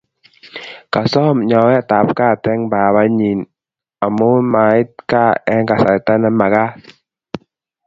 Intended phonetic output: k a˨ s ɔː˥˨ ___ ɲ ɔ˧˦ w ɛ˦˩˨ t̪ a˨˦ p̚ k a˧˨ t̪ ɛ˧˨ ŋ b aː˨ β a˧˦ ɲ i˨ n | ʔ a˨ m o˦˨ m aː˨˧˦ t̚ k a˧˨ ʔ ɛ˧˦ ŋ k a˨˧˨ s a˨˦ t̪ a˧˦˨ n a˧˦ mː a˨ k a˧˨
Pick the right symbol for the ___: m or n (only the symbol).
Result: m